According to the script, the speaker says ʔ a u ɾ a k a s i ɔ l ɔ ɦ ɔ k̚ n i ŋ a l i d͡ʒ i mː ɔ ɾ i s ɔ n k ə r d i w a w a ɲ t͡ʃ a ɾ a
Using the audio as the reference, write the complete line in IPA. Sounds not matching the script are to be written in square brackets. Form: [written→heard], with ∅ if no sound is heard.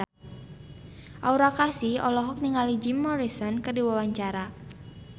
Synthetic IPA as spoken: ʔ a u ɾ a k a s i ɔ l ɔ ɦ ɔ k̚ n i ŋ a l i d͡ʒ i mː ɔ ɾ i s ɔ n k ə r d i w a w a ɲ t͡ʃ a ɾ a